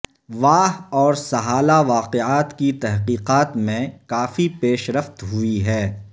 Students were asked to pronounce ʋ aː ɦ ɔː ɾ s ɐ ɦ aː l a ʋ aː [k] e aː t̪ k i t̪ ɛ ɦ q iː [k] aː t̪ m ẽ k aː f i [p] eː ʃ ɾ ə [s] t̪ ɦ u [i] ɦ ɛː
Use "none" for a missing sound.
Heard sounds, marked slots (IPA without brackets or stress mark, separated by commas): q, q, p, f, i